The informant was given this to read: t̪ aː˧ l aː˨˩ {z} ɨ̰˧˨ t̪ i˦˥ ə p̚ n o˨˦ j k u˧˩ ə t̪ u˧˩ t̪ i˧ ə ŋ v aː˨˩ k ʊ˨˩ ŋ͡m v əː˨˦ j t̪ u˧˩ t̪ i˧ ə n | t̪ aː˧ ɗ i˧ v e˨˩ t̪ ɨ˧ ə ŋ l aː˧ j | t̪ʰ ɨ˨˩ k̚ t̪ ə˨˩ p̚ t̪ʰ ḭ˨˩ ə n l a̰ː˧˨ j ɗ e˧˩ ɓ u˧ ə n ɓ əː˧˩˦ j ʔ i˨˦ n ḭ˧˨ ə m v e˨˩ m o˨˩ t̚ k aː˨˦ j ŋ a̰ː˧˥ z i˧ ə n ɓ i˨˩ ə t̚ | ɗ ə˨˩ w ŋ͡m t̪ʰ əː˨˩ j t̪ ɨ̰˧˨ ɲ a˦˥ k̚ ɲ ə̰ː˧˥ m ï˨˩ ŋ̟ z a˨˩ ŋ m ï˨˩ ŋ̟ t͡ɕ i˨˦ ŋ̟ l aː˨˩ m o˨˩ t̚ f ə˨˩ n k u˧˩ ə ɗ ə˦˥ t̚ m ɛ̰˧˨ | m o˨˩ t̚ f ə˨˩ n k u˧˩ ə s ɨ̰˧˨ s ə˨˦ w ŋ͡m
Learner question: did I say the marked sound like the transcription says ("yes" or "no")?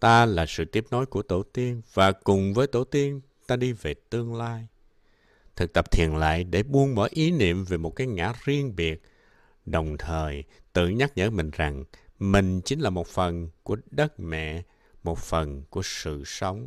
no